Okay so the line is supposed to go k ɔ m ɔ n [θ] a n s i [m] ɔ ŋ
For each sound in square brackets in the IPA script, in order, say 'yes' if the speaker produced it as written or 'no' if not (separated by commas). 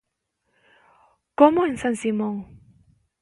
no, yes